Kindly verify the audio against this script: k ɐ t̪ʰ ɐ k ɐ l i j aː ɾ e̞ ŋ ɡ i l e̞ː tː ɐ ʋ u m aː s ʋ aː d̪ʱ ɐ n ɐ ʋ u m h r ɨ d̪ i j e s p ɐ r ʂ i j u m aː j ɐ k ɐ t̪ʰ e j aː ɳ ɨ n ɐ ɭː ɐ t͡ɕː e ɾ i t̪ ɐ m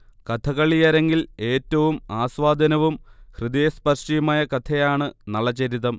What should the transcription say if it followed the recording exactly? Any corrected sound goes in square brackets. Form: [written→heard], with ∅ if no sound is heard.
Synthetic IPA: k ɐ t̪ʰ ɐ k ɐ [l→ɭ] i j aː ɾ e̞ ŋ ɡ i l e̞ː tː ɐ ʋ u m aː s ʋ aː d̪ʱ ɐ n ɐ ʋ u m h r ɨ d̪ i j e s p ɐ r ʂ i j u m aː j ɐ k ɐ t̪ʰ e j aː ɳ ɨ n ɐ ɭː ɐ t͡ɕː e ɾ i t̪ ɐ m